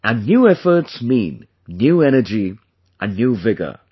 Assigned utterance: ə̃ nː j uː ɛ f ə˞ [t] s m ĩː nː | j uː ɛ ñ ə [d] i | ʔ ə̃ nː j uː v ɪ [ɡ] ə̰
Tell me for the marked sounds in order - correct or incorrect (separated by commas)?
correct, incorrect, correct